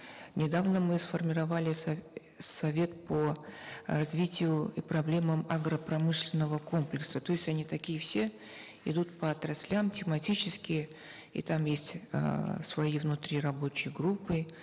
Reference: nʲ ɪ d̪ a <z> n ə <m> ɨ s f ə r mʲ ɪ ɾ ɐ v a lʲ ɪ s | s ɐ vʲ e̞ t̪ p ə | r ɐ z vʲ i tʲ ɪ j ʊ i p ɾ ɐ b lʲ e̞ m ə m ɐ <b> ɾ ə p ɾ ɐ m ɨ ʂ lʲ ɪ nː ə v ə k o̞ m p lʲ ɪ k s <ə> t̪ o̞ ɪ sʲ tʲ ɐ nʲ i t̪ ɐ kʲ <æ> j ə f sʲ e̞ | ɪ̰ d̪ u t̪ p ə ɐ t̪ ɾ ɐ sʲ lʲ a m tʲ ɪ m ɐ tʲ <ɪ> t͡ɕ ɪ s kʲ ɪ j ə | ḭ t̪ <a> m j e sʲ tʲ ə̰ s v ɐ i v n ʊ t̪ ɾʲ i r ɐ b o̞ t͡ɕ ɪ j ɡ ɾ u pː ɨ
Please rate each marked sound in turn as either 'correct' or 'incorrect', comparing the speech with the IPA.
incorrect: v, correct, incorrect: ɡ, correct, incorrect: i, incorrect: i, correct

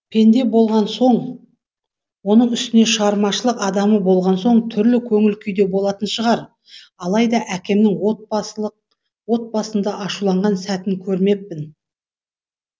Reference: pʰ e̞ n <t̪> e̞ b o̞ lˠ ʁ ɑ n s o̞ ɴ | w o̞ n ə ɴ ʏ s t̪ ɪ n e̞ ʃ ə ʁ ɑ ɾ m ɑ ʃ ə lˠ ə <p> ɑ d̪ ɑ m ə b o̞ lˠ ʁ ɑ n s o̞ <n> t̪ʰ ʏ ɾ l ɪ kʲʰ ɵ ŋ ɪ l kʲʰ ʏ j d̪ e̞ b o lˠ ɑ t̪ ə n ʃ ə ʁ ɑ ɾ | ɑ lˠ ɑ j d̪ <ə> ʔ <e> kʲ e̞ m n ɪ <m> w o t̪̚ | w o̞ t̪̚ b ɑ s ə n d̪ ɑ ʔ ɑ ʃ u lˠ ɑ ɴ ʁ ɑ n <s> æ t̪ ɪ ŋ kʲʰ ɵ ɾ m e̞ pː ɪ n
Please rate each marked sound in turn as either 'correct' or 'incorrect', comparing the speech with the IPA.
incorrect: d̪, incorrect: q, incorrect: ɴ, incorrect: ɑ, incorrect: æ, incorrect: ŋ, correct

